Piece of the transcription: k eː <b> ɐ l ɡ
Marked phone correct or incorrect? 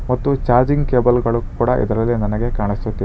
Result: correct